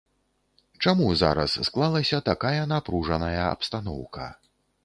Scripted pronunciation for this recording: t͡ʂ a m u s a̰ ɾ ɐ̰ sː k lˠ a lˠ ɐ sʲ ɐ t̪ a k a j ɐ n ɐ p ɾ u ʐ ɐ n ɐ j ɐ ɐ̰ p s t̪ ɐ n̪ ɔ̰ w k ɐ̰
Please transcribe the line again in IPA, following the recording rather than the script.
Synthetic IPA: t͡ʂ a m u z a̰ ɾ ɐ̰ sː k lˠ a lˠ ɐ sʲ ɐ t̪ a k a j ɐ n a p ɾ u ʐ ɐ n ɐ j ɐ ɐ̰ p s t̪ a n̪ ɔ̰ w k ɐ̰